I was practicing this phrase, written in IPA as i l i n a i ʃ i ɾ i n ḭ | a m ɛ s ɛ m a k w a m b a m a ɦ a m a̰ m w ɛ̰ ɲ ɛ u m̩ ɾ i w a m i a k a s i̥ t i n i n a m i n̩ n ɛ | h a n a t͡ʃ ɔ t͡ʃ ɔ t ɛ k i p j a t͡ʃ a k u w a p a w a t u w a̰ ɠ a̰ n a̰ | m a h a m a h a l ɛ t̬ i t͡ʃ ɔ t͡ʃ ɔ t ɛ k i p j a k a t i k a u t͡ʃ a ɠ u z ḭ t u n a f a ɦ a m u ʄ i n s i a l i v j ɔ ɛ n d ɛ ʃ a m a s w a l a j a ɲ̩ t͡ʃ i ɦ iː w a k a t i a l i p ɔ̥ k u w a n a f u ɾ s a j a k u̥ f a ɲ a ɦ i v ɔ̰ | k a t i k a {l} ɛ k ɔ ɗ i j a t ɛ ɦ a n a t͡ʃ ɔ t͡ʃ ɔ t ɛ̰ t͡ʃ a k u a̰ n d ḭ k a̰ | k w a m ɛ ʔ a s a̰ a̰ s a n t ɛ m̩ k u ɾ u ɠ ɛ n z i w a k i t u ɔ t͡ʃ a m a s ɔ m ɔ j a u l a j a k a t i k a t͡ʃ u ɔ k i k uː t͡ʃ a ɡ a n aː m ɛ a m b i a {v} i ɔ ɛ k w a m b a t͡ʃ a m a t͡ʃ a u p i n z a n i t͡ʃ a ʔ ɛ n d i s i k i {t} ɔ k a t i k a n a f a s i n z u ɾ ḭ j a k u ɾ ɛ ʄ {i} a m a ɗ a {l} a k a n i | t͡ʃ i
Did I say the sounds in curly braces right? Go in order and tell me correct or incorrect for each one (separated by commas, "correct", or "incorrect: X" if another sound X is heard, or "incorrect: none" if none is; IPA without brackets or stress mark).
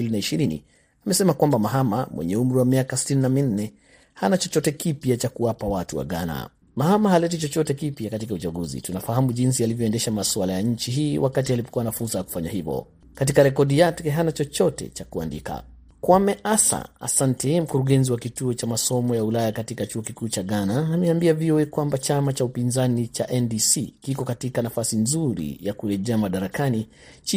incorrect: ɾ, correct, incorrect: k, incorrect: ɛ, incorrect: ɾ